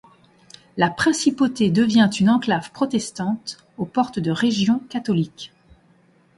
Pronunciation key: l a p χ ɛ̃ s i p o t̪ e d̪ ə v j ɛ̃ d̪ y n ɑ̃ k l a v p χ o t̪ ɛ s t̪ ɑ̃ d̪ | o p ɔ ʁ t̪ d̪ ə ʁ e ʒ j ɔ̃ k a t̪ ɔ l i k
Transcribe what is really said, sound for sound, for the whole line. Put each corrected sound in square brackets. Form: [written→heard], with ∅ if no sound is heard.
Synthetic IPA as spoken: l a p χ ɛ̃ s i p o t̪ e d̪ ə v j ɛ̃ [d̪→t̪] y n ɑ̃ k l a v p χ [o→ɔ] t̪ ɛ s t̪ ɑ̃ [d̪→t̪] | o p ɔ ʁ t̪ d̪ ə ʁ e ʒ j ɔ̃ k a t̪ ɔ l i k